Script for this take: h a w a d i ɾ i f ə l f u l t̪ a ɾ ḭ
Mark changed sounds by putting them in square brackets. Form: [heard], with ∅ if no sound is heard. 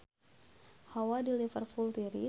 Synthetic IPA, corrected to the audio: h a w a d i [l] i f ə [r] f u l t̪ [i] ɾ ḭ